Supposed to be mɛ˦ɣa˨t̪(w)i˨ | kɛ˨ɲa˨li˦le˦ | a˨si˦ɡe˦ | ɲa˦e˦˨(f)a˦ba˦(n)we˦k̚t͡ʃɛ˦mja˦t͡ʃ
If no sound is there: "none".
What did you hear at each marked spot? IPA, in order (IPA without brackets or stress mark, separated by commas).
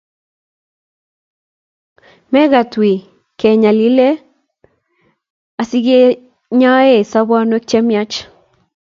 w, s, n